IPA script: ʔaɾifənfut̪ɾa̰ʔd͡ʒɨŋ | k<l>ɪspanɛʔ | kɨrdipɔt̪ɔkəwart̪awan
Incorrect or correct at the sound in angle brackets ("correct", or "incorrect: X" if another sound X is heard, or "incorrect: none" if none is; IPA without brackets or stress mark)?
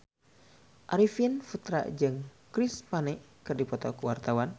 incorrect: ɾ